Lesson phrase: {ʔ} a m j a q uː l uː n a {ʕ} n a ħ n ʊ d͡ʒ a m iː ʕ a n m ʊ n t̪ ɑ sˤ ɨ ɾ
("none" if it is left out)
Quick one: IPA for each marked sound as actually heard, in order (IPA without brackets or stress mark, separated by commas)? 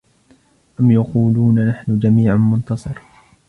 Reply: ʔ, none